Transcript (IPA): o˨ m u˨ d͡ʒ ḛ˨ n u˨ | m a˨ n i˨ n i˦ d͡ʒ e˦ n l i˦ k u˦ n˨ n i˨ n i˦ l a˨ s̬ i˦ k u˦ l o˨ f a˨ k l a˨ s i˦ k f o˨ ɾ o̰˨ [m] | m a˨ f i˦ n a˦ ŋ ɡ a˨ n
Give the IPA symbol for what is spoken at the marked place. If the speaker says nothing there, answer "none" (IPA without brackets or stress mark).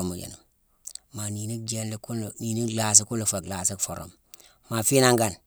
m